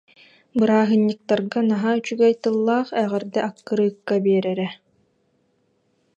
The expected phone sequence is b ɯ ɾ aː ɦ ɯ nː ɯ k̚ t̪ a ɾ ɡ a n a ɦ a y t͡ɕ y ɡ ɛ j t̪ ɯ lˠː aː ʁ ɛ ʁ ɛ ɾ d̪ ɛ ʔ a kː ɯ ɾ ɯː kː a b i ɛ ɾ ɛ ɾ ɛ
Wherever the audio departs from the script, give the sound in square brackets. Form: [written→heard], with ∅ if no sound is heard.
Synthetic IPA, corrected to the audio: b ɯ ɾ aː ɦ ɯ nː ɯ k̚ t̪ a ɾ ɡ a n a ɦ a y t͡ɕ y ɡ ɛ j t̪ ɯ lˠː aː [ʁ→χ] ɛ ʁ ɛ ɾ d̪ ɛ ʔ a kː ɯ ɾ ɯː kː a b i ɛ ɾ ɛ ɾ ɛ